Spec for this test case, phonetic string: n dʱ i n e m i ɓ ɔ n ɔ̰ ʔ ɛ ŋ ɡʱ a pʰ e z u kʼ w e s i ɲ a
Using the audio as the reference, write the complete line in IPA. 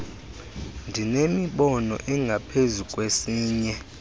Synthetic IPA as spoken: n dʱ i n e m i ɓ ɔ n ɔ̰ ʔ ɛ ŋ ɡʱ a pʰ e z u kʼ w e s iː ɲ ɛ